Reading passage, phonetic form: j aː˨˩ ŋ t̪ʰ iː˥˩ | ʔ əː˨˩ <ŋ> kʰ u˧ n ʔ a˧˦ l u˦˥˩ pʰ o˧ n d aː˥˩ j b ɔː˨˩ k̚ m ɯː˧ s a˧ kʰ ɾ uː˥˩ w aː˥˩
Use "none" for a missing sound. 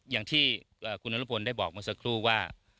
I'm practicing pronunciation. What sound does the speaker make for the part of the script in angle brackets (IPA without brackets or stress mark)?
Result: none